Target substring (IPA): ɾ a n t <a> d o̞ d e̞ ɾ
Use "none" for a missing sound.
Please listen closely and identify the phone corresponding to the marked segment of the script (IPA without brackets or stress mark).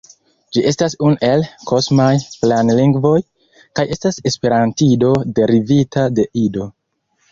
i